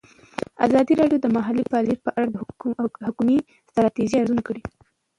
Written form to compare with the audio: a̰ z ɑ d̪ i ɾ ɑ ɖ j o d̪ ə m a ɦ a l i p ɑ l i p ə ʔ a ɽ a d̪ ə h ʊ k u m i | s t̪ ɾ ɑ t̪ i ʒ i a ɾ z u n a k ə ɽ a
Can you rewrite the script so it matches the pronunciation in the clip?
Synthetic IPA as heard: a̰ z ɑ d̪ i ɾ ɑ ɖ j o d̪ ə m a ɦ a l i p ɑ l i p ə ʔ a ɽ a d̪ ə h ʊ k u m i | s t̪ ɾ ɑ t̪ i ʒ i a ɾ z u n a k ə ɽ i